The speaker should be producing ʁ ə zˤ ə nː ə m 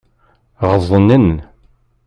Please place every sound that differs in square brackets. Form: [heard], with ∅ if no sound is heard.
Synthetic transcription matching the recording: ʁ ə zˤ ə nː ə [n]